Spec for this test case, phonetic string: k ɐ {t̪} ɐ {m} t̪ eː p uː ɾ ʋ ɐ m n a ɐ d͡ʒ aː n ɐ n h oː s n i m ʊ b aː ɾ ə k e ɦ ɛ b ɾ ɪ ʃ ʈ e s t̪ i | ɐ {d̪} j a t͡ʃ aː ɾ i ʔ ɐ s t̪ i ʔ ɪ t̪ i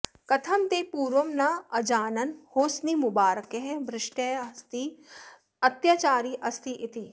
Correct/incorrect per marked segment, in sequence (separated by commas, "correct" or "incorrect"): incorrect, correct, incorrect